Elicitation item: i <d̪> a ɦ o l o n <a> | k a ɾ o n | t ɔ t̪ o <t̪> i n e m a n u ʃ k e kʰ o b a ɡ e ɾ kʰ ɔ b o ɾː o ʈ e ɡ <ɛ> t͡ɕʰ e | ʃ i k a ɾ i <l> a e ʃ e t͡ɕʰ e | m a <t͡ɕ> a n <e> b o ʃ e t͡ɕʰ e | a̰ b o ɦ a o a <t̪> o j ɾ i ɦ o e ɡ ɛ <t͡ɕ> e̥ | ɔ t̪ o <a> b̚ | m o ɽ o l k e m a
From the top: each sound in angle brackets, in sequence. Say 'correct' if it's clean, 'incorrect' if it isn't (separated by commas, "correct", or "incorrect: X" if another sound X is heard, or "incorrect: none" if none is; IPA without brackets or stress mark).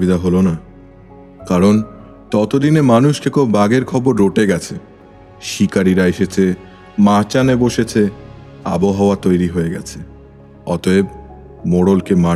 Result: correct, correct, incorrect: d̪, correct, incorrect: ɾ, correct, correct, correct, incorrect: t͡ɕʰ, incorrect: e